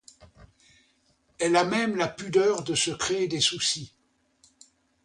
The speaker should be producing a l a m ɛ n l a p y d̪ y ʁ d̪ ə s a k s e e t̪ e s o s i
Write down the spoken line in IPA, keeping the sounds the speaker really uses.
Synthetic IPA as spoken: ɛ l a m ɛ m l a p y d̪ œ ʁ d̪ ə s ə k χ e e d̪ e s u s i